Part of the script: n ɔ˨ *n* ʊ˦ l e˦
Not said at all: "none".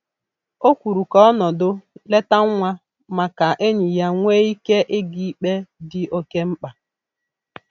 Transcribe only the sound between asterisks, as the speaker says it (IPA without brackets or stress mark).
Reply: d